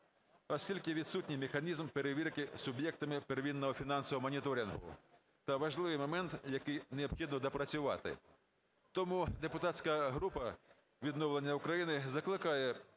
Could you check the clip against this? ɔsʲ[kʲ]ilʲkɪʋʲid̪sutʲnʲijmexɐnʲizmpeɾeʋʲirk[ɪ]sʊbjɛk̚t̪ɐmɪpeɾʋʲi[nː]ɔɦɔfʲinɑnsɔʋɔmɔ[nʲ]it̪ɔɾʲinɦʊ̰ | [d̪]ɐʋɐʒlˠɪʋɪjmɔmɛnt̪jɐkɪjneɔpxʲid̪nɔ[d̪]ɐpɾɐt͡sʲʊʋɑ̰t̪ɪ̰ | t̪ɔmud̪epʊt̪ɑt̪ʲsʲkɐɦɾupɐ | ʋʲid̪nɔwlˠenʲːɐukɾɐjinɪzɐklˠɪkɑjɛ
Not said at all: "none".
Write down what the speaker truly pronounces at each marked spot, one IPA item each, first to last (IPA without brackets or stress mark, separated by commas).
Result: kʲ, ɪ, nː, nʲ, t̪, d̪